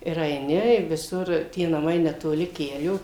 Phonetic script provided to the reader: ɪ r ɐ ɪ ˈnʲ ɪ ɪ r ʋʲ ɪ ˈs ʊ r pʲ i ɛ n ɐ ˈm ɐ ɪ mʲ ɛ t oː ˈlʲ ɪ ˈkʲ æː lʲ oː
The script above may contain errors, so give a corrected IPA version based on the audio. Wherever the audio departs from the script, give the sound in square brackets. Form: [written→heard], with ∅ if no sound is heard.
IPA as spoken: ɪ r ɐ ɪ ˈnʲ ɪ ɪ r ʋʲ ɪ ˈs ʊ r [pʲ→tʲ] i ɛ n ɐ ˈm ɐ ɪ [mʲ→nʲ] ɛ t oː ˈlʲ ɪ ˈkʲ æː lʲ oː

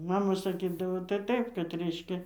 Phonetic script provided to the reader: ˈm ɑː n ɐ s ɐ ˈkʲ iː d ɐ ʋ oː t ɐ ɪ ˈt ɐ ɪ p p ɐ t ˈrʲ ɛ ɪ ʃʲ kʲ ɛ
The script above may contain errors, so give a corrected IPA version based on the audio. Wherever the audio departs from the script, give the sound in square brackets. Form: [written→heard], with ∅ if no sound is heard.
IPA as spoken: ˈm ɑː [n→m] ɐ s ɐ ˈkʲ iː d ɐ ʋ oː t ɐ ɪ ˈt ɐ ɪ p [p→k] ɐ t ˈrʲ ɛ ɪ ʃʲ kʲ ɛ

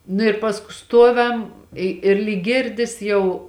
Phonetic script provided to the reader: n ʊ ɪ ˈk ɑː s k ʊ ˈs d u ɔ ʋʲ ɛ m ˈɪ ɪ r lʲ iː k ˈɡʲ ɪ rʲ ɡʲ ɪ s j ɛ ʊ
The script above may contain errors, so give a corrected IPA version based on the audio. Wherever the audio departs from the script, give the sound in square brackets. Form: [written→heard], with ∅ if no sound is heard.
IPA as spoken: n ʊ ɪ [ˈk→ˈp] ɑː s k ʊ ˈs [d→t] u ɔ ʋʲ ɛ m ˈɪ ɪ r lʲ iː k ˈɡʲ ɪ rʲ [ɡʲ→dʲ] ɪ s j ɛ ʊ

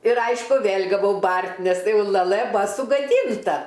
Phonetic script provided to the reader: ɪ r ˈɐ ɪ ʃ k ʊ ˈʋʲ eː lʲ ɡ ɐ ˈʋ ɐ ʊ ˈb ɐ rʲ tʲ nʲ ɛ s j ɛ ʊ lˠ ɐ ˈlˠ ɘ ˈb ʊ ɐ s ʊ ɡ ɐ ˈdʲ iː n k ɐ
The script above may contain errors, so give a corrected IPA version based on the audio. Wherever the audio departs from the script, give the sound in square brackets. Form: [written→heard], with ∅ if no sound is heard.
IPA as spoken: ɪ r ˈɐ ɪ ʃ k ʊ ˈʋʲ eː lʲ ɡ ɐ ˈʋ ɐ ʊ ˈb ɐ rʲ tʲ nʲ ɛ s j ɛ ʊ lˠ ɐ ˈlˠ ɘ ˈb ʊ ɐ s ʊ ɡ ɐ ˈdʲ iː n [k→t] ɐ

